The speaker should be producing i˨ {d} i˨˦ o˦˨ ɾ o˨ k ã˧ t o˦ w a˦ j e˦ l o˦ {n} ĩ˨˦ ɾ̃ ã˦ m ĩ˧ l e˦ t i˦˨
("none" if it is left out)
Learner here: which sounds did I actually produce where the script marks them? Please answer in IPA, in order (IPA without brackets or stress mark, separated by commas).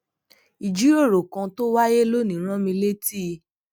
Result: d͡ʒ, n